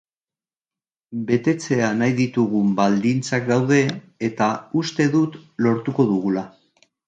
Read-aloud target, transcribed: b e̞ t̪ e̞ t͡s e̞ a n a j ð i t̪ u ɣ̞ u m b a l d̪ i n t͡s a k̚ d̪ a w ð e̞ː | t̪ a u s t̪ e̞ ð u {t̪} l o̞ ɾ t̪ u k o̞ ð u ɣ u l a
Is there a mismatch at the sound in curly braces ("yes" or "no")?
no